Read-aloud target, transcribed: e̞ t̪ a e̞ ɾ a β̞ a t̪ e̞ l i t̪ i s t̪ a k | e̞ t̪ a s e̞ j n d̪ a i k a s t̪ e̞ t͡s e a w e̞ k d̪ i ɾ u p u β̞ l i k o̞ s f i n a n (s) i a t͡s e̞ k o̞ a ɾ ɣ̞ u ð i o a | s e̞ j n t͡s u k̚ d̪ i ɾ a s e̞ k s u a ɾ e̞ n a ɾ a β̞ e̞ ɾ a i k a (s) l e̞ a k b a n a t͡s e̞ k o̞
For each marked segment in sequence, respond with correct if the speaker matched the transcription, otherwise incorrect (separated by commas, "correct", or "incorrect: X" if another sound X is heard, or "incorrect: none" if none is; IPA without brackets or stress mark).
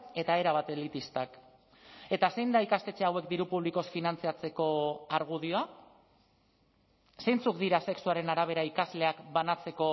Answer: incorrect: t͡s, incorrect: z